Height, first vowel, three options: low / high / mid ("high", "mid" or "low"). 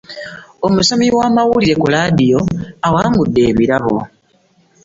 mid